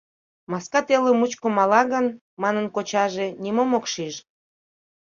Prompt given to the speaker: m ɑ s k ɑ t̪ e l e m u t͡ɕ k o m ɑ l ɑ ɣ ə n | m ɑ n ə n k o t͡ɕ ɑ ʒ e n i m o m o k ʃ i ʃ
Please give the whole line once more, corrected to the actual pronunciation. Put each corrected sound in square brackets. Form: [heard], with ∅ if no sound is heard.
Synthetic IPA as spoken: m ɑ s k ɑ t̪ e l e m u t͡ɕ k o m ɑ l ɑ ɣ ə n | m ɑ n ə n k o t͡ɕ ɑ ʒ e n i m o m o k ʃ i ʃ